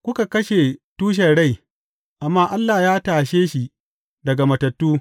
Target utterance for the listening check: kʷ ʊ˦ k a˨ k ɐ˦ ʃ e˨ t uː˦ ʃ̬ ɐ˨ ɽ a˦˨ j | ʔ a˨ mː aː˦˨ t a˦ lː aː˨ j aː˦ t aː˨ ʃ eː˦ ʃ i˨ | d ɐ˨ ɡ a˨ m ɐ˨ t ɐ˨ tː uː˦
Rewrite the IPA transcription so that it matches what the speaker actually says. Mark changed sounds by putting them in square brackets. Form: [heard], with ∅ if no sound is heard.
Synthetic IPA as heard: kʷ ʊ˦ k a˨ k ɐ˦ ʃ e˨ t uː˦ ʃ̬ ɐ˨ ɽ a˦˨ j | ʔ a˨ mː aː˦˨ [ʔ] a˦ lː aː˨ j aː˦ t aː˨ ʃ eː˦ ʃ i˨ | d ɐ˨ ɡ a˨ m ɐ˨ t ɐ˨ tː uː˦